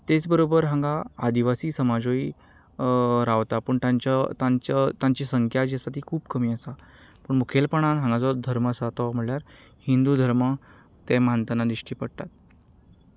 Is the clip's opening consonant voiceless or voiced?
voiceless